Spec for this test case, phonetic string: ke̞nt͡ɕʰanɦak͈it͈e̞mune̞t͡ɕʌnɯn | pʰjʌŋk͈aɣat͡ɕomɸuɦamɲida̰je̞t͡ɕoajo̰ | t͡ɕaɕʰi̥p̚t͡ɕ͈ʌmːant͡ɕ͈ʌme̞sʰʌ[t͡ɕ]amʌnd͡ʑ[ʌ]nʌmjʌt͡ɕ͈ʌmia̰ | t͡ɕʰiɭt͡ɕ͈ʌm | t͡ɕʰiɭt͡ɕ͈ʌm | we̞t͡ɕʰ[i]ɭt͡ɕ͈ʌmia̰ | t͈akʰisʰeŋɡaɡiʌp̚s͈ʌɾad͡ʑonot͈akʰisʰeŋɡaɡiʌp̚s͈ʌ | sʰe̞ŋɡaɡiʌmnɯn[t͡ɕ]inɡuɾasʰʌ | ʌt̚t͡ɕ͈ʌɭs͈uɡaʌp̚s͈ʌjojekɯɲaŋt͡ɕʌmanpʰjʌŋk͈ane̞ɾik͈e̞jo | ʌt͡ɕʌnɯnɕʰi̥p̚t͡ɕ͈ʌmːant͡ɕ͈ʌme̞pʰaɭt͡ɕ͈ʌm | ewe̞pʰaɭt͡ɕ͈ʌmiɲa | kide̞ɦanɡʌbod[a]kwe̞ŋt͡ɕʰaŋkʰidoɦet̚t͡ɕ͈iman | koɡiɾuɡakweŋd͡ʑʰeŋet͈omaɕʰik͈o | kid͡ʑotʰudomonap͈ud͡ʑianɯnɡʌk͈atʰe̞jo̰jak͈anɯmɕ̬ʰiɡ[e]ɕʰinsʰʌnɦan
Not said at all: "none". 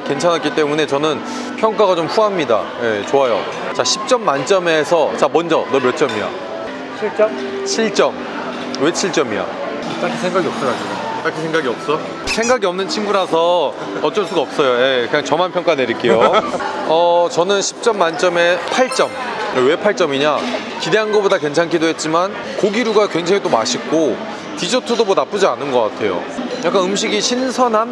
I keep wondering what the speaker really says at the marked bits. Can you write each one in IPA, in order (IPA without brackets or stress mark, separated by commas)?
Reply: t͡ɕ, ʌ, i, t͡ɕʰ, a, i